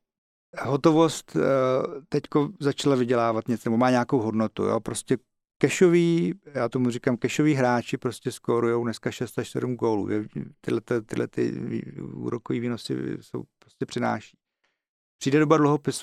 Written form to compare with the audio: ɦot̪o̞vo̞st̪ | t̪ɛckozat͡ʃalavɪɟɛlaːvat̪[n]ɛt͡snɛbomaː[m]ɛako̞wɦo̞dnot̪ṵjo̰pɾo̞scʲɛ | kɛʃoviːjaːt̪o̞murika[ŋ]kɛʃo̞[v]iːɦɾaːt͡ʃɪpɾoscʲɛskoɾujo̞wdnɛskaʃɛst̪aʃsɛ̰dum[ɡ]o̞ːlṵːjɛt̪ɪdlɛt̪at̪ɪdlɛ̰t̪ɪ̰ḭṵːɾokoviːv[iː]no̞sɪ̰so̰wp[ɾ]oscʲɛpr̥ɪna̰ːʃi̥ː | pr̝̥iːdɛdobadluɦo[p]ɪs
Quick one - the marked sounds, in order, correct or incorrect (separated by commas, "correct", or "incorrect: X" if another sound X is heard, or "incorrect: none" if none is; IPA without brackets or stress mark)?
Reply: incorrect: ɲ, incorrect: ɲ, incorrect: m, correct, correct, correct, correct, correct